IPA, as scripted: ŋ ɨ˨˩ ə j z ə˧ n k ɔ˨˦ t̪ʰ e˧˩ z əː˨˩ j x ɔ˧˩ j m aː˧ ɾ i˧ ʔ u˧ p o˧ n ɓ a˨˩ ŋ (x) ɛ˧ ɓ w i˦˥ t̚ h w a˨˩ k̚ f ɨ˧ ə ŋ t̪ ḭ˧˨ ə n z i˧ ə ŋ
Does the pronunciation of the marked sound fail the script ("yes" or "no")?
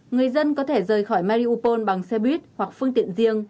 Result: yes